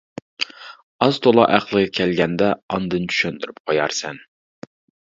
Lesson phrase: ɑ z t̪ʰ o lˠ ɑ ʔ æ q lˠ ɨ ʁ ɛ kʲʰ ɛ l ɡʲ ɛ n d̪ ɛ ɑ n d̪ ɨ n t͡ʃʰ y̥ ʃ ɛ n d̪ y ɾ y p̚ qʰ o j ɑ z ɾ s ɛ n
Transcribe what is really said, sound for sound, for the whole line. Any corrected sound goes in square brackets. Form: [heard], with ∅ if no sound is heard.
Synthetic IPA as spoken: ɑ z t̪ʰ o lˠ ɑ ʔ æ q lˠ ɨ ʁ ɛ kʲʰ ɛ l ɡʲ ɛ n d̪ ɛ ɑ n d̪ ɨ n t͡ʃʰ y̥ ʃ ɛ n d̪ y ɾ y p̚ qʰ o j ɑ [∅] ɾ s ɛ n